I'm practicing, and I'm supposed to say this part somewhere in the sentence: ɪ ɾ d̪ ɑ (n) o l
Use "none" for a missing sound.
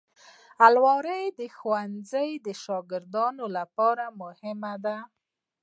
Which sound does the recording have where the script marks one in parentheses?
n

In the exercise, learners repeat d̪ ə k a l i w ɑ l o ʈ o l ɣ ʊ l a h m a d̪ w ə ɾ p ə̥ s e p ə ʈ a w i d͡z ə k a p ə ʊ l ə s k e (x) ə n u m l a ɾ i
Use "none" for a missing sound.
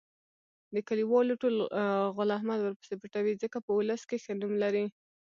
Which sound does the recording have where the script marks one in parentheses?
x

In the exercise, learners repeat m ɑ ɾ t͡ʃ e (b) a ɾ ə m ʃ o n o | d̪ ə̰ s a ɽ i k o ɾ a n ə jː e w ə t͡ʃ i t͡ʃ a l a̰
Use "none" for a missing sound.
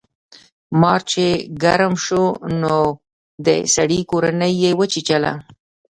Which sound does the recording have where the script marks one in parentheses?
ɡ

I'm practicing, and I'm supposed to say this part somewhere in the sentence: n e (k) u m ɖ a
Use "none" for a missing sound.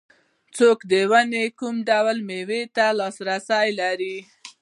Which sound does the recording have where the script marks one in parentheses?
k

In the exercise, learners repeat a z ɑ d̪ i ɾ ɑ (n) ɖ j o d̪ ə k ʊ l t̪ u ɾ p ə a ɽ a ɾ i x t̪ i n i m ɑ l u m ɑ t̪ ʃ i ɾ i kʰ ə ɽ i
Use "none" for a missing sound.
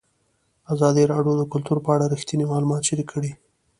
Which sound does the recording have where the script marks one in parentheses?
none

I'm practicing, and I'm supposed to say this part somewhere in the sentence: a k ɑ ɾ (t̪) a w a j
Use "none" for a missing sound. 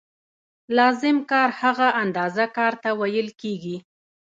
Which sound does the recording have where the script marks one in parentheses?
t̪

